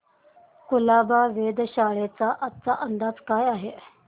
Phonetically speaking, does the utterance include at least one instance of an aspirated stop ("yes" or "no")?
no